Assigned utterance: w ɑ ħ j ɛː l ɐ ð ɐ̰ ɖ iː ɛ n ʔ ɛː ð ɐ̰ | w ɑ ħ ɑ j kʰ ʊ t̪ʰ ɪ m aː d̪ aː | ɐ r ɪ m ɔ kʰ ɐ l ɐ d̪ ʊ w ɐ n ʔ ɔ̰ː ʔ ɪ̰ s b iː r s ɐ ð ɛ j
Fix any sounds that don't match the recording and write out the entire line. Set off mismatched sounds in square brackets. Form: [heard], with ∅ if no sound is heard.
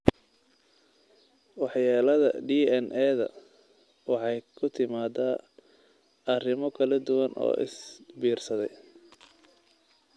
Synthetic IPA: w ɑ ħ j [aː] l ɐ ð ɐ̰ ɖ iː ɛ n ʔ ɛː ð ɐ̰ | w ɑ ħ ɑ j kʰ ʊ t̪ʰ ɪ m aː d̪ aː | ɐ r ɪ m ɔ kʰ ɐ l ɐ d̪ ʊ w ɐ n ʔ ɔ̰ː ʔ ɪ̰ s b iː r s ɐ ð ɛ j